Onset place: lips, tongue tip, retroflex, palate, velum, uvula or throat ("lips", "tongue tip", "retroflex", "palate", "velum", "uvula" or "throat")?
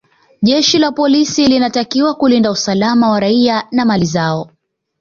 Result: palate